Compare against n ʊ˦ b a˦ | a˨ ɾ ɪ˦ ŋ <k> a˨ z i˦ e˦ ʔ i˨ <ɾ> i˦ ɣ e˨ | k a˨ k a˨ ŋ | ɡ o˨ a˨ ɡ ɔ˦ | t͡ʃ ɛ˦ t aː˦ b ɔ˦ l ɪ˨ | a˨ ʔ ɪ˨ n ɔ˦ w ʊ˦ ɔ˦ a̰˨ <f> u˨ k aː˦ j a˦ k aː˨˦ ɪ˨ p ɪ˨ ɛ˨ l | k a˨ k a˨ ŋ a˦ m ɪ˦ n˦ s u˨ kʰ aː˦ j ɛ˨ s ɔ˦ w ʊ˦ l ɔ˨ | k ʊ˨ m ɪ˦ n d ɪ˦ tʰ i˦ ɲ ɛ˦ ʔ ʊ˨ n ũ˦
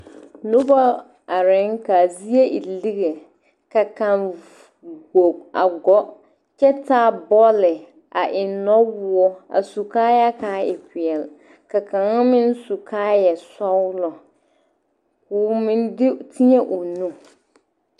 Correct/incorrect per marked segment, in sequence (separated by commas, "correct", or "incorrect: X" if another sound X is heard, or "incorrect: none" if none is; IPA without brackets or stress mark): correct, incorrect: l, incorrect: s